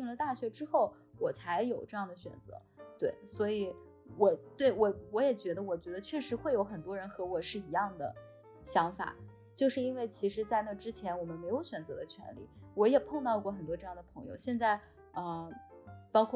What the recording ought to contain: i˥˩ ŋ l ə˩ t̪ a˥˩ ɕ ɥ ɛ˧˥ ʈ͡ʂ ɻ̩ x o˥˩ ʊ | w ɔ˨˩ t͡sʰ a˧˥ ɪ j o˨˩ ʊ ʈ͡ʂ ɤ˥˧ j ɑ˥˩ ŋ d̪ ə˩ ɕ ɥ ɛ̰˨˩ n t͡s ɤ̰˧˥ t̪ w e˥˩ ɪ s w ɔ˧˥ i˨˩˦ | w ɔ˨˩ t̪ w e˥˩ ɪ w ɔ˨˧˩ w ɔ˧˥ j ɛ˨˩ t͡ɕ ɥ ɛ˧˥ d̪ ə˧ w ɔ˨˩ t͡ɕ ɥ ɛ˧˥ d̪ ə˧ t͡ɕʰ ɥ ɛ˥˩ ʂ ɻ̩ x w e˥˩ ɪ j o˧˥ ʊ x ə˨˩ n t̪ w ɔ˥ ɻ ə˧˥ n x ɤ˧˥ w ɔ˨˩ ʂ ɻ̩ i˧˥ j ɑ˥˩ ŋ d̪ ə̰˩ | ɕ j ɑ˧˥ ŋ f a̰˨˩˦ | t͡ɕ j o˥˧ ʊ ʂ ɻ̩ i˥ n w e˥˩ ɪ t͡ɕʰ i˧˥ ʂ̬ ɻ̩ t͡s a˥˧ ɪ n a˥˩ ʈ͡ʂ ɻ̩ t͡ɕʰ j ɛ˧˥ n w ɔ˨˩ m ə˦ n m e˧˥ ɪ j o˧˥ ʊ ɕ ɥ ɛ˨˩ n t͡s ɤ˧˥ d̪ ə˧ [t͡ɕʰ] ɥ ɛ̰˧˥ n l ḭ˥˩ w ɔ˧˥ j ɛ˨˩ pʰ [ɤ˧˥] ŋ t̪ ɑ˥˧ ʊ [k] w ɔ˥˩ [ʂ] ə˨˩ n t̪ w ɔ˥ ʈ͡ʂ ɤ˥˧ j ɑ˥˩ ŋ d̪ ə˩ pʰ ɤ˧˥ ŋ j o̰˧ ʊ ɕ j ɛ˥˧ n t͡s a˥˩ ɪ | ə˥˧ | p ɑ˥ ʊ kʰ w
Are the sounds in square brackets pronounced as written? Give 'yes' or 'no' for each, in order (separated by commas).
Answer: yes, no, yes, no